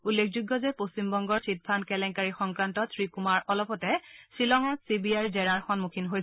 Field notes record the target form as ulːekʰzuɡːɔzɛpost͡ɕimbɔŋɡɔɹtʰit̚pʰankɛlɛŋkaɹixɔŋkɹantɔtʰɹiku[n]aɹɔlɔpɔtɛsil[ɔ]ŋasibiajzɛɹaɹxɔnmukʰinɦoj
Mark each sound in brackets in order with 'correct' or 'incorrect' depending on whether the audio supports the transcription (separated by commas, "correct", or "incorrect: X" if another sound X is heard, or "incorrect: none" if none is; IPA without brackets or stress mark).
incorrect: m, correct